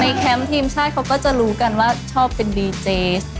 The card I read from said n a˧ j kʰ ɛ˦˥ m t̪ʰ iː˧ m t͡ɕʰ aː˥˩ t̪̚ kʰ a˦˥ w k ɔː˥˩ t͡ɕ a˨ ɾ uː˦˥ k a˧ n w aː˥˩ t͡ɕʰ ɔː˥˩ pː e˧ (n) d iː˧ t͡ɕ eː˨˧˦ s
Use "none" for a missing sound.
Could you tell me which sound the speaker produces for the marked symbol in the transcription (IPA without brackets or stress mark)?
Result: n